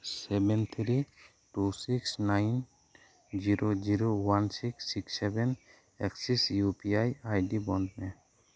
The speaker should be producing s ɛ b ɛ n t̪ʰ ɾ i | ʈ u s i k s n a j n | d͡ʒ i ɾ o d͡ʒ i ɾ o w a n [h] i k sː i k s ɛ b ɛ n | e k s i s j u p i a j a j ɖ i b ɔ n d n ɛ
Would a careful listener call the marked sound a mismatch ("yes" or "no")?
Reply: yes